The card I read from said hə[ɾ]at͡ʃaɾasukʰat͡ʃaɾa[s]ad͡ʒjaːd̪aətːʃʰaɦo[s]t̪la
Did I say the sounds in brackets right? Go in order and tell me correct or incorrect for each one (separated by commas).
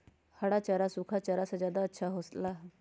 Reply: incorrect, correct, correct